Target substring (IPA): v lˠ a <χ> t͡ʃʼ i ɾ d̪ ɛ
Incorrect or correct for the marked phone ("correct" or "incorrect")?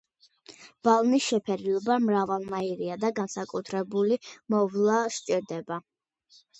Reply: incorrect